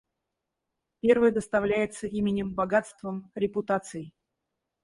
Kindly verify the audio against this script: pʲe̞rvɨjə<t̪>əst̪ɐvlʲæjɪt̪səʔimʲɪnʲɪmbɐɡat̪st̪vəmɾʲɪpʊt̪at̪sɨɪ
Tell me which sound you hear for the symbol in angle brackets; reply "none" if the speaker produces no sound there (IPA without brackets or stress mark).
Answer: d̪